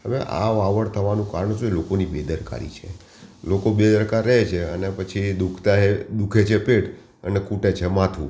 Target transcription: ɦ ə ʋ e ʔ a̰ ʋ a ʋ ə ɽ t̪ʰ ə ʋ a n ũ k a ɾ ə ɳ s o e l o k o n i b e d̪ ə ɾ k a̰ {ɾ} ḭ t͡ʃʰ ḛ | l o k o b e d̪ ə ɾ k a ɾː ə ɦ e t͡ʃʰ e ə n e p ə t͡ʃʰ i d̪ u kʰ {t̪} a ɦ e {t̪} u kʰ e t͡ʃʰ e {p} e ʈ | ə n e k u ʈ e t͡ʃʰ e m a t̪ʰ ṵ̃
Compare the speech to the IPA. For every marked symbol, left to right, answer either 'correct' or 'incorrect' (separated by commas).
correct, correct, incorrect, correct